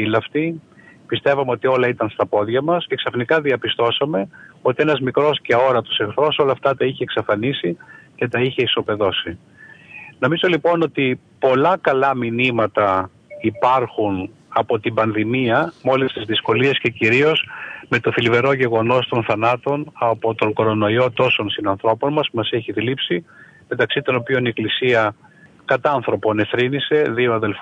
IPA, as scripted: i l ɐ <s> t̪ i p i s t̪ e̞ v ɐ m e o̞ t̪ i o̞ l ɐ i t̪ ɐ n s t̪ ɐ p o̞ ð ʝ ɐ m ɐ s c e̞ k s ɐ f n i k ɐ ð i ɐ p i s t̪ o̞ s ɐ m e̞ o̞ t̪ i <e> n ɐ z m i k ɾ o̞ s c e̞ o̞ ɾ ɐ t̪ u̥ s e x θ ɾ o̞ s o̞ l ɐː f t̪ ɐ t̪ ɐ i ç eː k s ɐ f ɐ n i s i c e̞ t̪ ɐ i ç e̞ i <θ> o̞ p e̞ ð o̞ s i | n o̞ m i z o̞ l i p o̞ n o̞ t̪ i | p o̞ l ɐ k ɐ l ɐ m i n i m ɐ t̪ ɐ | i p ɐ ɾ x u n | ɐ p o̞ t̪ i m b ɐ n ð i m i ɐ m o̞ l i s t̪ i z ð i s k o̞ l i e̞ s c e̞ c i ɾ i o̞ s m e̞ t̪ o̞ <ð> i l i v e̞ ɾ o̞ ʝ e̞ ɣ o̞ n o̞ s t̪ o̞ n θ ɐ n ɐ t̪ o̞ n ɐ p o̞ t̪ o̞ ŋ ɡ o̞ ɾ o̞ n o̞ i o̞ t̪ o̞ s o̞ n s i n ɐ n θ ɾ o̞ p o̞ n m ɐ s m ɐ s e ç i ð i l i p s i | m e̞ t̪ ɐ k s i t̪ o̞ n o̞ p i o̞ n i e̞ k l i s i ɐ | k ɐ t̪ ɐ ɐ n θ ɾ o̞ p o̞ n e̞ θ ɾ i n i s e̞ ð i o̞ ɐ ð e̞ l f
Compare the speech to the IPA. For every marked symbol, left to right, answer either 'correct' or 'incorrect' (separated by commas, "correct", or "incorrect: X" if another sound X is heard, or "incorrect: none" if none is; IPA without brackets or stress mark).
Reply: incorrect: f, correct, incorrect: s, incorrect: θ